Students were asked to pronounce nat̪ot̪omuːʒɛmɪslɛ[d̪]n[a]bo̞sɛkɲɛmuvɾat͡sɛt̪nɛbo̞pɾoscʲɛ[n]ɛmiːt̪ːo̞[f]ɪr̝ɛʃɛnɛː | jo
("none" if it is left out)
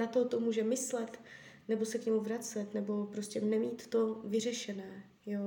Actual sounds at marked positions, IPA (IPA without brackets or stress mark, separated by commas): t̪, ɛ, n, v